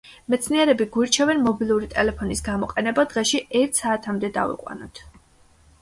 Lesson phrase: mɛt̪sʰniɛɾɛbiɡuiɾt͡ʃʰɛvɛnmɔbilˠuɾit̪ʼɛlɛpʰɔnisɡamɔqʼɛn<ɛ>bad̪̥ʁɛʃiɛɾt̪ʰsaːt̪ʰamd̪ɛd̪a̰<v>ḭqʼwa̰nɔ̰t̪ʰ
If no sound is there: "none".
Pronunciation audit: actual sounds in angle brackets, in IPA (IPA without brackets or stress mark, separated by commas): ɛ, v